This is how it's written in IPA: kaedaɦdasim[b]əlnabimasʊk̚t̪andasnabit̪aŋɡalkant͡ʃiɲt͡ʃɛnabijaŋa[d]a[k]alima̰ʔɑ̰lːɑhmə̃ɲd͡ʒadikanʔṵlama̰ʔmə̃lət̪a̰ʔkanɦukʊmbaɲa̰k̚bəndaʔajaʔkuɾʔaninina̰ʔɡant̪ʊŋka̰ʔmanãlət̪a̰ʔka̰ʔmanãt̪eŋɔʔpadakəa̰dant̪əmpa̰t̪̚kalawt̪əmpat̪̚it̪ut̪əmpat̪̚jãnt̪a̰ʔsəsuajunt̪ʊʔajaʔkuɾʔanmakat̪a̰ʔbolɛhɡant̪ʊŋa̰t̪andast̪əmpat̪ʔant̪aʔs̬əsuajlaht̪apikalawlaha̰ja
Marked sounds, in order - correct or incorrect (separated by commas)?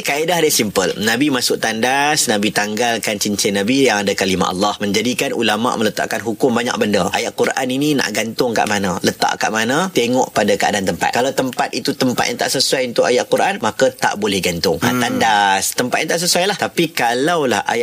incorrect, correct, correct